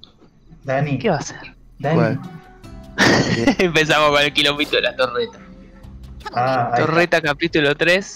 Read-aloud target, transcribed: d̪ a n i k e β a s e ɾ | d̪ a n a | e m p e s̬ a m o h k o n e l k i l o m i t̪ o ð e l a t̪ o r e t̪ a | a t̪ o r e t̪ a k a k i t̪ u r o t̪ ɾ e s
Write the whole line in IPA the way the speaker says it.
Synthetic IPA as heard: d̪ a n i k e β a s e ɾ | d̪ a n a | e m p e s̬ a m o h k o n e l k i l o m i t̪ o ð e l a t̪ o r e t̪ a | a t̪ o r e t̪ a k a p i t̪ u l o t̪ ɾ e s